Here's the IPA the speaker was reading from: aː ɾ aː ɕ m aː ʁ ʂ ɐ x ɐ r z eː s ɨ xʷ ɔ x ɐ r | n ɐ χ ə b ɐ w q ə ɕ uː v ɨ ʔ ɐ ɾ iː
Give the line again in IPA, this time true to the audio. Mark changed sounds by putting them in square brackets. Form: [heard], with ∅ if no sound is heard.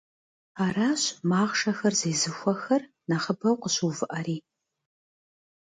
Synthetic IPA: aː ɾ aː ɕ m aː ʁ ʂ ɐ x ɐ r z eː [z] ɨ xʷ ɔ x ɐ r | n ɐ χ ə b ɐ w q ə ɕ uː v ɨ ʔ ɐ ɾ iː